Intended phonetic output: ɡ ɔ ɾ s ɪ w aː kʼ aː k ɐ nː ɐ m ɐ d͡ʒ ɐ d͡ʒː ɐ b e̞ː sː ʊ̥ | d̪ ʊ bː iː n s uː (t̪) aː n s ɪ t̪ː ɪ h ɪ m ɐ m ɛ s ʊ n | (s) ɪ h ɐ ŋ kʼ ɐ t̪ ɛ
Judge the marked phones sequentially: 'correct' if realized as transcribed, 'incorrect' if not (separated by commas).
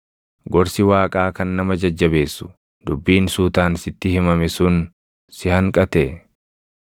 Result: correct, correct